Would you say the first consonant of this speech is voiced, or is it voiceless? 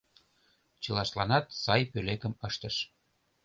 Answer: voiceless